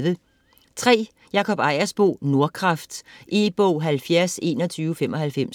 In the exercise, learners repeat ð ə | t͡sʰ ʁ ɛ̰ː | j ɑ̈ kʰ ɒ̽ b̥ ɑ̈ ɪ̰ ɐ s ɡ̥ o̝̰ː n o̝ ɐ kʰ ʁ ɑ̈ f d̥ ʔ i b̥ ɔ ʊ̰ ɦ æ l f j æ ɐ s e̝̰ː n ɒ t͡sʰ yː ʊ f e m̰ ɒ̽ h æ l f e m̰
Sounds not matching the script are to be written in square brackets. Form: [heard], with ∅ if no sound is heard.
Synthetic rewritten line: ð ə | t͡sʰ ʁ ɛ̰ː | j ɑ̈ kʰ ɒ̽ b̥ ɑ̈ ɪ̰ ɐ s [b̥] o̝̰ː n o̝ ɐ kʰ ʁ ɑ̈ f d̥ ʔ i b̥ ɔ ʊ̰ ɦ æ l f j æ ɐ s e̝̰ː n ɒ t͡sʰ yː ʊ f e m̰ ɒ̽ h æ l f e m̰